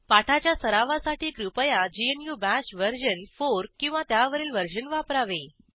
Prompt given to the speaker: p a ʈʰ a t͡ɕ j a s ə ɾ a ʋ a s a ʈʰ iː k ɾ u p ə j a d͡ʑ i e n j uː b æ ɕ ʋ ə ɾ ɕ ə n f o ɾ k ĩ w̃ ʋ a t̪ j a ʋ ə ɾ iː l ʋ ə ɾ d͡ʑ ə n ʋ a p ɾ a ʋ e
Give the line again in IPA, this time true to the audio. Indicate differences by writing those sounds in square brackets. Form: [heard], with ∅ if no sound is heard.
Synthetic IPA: p a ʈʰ a t͡ɕ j a s ə ɾ a ʋ a s a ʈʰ iː k ɾ u p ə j a d͡ʑ i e n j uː b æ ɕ ʋ ə ɾ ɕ ə n f o ɾ k ĩ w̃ ʋ a t̪ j a ʋ ə ɾ iː l ʋ ə ɾ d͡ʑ ə n ʋ a p ɾ a ʋ e